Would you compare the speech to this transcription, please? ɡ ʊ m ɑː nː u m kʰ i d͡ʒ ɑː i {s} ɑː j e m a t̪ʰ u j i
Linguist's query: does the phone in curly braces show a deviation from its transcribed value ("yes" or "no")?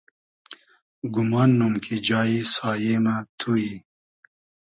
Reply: no